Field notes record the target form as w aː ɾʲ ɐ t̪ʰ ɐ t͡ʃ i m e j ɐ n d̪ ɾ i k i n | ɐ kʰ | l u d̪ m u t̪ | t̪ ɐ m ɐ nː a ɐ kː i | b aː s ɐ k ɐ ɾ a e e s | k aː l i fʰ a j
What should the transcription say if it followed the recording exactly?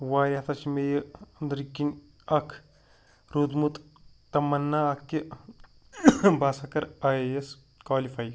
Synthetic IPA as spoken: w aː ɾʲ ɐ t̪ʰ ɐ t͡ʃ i m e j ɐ n d̪ ɾ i k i n | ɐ kʰ | ɾ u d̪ m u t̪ | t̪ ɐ m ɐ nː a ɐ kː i | b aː s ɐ k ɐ ɾ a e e s | k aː l i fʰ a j